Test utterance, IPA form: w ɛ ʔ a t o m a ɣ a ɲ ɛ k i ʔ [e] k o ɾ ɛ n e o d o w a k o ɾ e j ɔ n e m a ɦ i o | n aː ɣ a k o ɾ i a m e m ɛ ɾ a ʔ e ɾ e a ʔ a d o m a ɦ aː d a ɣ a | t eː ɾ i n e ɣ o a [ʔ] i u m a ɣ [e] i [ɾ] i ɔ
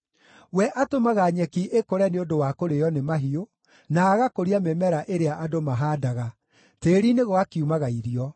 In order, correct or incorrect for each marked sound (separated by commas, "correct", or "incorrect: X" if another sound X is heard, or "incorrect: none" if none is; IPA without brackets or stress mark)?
correct, incorrect: k, incorrect: a, correct